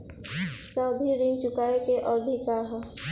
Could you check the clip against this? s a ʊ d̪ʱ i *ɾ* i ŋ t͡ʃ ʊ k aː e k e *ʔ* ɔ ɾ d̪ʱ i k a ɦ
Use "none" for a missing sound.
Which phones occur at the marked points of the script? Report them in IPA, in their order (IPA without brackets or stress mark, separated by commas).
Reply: ɾ, ʔ